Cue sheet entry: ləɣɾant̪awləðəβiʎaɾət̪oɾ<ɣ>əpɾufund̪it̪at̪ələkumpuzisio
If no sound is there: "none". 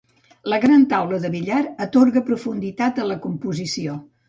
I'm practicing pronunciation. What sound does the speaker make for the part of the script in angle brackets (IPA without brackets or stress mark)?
ɣ